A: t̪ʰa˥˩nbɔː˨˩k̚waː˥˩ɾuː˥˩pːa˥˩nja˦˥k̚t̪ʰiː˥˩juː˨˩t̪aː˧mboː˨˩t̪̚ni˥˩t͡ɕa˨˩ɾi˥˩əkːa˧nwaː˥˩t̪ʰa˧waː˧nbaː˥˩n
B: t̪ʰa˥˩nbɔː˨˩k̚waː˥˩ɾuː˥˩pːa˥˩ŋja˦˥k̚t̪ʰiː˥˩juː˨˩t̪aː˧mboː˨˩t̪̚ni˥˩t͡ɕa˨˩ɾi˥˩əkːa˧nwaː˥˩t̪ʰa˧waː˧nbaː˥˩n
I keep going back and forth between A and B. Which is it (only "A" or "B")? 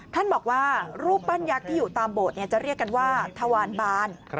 A